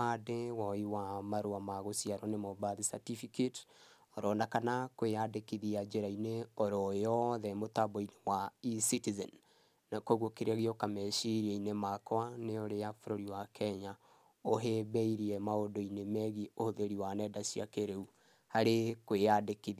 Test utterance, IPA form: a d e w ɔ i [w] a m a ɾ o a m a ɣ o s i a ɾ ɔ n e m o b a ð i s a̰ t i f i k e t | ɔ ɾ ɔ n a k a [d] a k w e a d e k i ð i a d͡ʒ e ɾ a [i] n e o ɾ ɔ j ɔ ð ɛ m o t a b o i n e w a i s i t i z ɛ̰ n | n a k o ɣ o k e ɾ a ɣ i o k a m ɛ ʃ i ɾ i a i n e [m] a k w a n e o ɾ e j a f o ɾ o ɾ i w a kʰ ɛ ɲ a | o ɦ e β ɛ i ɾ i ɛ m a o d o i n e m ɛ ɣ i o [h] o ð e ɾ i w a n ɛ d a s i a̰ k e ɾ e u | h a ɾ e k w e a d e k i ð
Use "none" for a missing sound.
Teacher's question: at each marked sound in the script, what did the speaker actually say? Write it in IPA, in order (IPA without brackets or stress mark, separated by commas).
w, n, i, m, h